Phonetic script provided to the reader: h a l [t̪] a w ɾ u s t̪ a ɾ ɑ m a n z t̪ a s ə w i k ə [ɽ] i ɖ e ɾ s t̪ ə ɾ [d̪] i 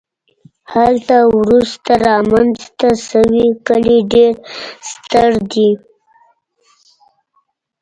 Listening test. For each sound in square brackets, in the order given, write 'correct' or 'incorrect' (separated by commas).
correct, incorrect, correct